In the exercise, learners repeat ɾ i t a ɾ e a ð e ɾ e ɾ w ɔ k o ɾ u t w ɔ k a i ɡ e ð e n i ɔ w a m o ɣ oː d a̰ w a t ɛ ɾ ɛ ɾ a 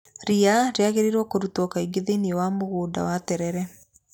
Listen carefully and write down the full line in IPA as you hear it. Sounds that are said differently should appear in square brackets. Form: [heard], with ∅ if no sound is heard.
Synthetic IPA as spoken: ɾ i [∅] a ɾ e a [ɣ] e ɾ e ɾ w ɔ k o ɾ u t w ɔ k a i ɡ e ð e n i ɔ w a m o ɣ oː d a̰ w a t ɛ ɾ ɛ ɾ [ɛ]